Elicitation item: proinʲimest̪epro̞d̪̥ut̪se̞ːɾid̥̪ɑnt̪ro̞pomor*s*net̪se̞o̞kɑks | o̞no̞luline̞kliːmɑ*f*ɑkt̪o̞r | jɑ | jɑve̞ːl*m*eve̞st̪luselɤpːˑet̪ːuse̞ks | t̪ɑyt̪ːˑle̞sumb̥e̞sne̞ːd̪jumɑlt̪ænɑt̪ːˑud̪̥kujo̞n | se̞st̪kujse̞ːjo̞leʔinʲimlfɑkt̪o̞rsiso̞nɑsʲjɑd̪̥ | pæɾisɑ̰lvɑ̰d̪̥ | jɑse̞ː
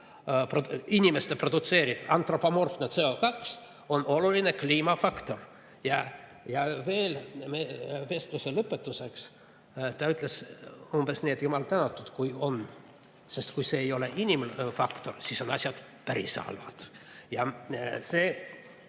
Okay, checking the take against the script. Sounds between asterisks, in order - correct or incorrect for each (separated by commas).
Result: incorrect, correct, correct